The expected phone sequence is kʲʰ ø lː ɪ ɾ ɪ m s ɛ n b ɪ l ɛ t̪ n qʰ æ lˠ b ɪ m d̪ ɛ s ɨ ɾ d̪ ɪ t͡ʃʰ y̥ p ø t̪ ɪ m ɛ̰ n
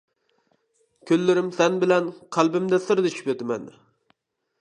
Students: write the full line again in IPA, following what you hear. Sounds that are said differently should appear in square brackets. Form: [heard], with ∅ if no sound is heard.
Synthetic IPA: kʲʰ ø lː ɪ ɾ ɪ m s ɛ n b ɪ l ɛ [∅] n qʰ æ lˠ b ɪ m d̪ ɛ s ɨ ɾ d̪ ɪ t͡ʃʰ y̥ p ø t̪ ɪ m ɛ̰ n